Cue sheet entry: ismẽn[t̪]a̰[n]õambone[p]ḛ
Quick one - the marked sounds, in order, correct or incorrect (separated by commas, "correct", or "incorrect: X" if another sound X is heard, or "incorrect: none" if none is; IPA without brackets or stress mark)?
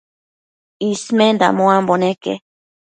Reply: incorrect: d̪, incorrect: m, incorrect: k